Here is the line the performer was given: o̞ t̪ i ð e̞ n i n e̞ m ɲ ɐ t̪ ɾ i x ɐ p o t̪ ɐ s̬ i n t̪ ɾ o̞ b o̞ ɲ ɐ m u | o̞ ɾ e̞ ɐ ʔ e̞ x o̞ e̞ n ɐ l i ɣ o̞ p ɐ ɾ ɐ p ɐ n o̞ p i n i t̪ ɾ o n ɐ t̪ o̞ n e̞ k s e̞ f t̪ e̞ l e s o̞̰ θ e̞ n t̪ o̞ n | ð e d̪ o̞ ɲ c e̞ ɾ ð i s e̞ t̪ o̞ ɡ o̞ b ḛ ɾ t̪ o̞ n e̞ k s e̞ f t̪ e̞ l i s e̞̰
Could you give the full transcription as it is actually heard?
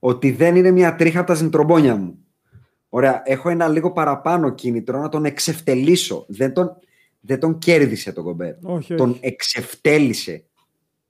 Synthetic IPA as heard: o̞ t̪ i ð e̞ n i n e̞ m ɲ ɐ t̪ ɾ i x ɐ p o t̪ ɐ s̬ i n t̪ ɾ o̞ b o̞ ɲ ɐ m u | o̞ ɾ e̞ ɐ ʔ e̞ x o̞ e̞ n ɐ l i ɣ o̞ p ɐ ɾ ɐ p ɐ n o̞ c i n i t̪ ɾ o n ɐ t̪ o̞ n e̞ k s e̞ f t̪ e̞ l i s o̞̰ ð e̞ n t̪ o̞ n | ð e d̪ o̞ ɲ c e̞ ɾ ð i s e̞ t̪ o̞ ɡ o̞ b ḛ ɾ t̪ o̞ n e̞ k s e̞ f t̪ e̞ l i s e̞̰